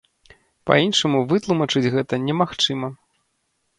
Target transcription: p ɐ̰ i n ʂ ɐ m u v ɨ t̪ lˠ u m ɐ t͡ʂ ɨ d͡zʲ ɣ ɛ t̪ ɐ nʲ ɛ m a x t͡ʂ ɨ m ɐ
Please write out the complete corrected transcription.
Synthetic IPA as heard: p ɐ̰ i n ʂ ɐ m u v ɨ t̪ lˠ u m ɐ t͡ʂ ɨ d͡zʲ ɣ ɛ t̪ ɐ nʲ ɛ m a x t͡ʂ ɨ m ɐ